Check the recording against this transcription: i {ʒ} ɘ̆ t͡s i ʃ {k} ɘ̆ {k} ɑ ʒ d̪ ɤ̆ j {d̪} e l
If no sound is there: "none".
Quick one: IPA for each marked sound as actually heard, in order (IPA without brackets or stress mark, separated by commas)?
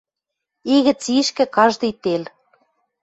ɣ, k, k, t̪